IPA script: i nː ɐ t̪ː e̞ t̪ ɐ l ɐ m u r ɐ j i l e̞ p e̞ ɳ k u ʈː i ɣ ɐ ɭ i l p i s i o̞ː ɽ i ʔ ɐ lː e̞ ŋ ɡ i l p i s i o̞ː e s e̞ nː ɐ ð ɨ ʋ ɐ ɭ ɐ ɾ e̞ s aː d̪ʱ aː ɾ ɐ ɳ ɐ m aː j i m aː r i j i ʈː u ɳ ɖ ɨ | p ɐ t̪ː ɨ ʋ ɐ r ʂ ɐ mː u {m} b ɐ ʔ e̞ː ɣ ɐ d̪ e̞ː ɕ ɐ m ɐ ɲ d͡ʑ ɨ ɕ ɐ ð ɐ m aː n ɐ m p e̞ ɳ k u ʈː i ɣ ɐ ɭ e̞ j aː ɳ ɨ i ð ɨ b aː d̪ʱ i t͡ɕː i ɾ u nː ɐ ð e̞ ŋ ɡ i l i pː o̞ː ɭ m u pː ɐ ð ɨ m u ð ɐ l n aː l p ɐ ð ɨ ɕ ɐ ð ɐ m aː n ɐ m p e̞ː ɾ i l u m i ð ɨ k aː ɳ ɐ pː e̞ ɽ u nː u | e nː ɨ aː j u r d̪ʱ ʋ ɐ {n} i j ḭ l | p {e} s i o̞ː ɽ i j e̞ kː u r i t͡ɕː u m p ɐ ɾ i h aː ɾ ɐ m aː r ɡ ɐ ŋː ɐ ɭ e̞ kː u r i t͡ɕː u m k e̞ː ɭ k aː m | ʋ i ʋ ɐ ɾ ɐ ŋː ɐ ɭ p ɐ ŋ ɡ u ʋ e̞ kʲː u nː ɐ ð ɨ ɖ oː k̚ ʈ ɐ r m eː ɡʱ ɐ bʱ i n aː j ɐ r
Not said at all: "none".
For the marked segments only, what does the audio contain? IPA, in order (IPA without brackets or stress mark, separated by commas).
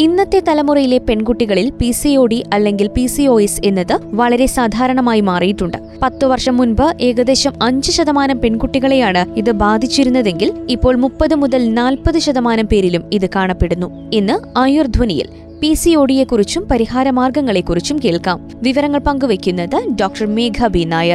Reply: n, n, i